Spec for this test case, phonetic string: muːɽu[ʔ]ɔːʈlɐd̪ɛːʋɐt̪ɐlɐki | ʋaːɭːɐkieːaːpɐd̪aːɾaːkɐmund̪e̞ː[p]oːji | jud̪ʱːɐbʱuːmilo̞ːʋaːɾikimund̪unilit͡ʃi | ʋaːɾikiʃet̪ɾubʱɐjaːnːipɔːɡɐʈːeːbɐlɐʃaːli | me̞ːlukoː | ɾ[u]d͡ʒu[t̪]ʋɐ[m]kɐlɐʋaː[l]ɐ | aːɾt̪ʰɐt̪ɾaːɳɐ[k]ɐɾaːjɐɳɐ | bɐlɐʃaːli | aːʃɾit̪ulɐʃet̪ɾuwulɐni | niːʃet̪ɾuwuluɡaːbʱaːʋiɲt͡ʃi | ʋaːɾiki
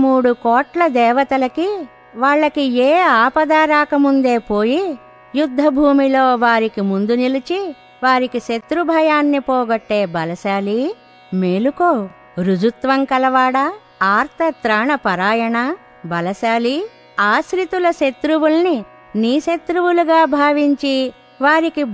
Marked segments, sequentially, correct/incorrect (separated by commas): incorrect, correct, correct, correct, incorrect, incorrect, incorrect